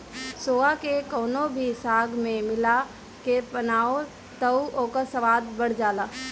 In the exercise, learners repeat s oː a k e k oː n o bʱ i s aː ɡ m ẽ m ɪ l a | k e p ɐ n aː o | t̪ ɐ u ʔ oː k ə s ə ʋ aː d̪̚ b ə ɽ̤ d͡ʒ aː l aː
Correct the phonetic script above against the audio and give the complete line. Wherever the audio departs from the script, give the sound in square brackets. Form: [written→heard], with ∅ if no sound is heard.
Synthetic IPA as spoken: s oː a k e k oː n o bʱ i s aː ɡ m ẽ m ɪ l a | k e p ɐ n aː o | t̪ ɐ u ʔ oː k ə s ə ʋ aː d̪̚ b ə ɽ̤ d͡ʒ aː l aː